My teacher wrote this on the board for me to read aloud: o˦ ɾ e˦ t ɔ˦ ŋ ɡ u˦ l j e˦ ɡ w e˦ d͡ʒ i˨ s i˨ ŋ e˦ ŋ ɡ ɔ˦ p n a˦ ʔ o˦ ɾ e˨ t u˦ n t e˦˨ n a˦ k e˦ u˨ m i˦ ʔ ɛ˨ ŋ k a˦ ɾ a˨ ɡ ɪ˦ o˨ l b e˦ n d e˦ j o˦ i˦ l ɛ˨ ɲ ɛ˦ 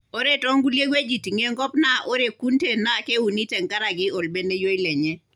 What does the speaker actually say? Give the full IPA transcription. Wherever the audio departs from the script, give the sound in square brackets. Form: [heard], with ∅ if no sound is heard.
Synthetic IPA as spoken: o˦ ɾ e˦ t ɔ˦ ŋ ɡ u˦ l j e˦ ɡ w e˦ d͡ʒ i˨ [t] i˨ ŋ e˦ ŋ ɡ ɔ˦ p n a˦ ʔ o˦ ɾ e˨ [k] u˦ n t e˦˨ n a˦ k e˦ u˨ [n] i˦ [t] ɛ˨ ŋ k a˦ ɾ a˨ ɡ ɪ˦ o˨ l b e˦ n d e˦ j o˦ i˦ l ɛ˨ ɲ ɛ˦